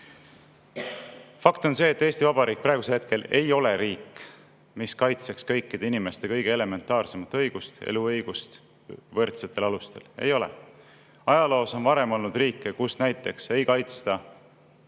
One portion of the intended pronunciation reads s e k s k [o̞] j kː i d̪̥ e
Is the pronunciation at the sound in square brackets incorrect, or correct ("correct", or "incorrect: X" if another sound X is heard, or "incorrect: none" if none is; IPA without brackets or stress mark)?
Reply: incorrect: ɤ̞